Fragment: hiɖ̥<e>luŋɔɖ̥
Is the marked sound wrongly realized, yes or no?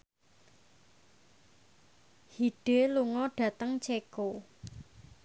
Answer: no